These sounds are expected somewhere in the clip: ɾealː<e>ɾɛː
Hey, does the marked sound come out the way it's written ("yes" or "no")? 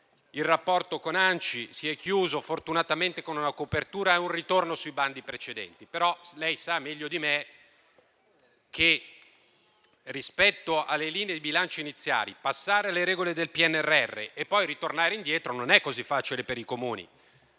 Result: yes